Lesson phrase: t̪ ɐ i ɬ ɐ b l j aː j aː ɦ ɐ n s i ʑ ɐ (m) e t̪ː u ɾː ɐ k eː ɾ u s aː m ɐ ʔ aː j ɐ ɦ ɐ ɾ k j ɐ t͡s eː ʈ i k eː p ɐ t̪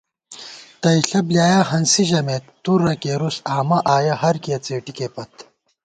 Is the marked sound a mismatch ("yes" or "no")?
no